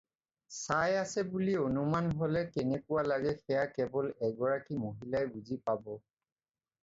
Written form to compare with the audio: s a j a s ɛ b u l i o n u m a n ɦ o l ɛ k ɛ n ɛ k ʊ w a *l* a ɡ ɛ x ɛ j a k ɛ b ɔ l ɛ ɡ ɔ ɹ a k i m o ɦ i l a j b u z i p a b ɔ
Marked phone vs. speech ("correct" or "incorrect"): correct